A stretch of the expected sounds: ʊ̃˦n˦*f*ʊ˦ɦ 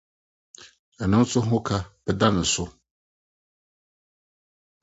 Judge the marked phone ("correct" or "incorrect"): incorrect